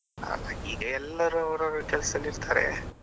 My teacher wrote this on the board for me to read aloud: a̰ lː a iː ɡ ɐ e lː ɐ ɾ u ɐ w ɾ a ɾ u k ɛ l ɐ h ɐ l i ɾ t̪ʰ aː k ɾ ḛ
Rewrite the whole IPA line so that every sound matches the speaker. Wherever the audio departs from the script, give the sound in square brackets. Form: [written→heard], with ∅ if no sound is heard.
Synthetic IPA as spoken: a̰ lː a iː ɡ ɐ [e→ɛ] lː ɐ ɾ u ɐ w ɾ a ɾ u k ɛ l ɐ [h→s] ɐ l i ɾ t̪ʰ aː [k→∅] ɾ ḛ